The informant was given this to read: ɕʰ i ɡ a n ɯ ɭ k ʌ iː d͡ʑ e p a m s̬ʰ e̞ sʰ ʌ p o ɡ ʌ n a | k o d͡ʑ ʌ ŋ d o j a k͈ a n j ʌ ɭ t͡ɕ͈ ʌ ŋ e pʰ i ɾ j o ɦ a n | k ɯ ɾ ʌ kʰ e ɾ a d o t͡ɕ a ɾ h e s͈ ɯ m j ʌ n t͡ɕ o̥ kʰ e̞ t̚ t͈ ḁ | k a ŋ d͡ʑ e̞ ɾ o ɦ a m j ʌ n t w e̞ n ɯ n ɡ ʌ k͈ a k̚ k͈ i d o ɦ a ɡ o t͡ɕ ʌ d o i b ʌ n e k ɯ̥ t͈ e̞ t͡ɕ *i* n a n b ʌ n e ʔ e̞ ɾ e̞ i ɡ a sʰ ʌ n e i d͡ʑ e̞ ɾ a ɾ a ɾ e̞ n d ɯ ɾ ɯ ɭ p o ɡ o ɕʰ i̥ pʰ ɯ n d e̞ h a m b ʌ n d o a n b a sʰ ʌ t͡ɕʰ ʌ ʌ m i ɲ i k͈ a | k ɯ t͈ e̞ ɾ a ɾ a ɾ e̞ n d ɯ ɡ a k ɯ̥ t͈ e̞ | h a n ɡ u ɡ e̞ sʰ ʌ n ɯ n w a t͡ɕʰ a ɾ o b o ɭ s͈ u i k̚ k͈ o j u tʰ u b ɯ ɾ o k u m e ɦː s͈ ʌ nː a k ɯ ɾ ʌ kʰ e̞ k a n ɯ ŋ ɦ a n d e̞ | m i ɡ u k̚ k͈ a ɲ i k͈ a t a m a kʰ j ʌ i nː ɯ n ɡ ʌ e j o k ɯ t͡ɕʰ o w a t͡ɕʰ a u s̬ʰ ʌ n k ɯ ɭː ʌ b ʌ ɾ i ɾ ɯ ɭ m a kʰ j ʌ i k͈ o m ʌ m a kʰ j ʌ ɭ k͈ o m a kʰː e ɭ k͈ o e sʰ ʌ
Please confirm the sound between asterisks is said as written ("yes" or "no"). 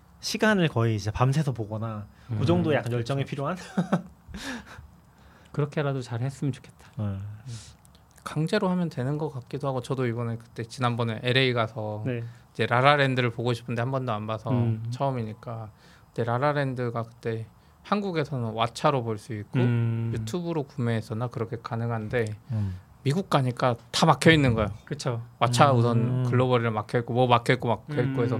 yes